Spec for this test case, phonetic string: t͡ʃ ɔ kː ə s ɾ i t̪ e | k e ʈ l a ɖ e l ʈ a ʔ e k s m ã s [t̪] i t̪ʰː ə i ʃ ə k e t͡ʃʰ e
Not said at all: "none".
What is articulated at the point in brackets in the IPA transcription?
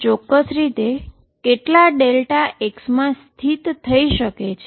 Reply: t̪ʰ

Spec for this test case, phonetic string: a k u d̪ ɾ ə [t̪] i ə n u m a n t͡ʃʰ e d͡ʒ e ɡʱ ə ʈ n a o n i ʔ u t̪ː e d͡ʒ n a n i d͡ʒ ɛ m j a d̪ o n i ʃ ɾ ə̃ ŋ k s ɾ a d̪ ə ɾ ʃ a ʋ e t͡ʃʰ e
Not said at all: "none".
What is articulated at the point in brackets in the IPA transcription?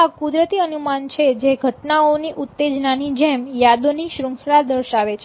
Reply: t̪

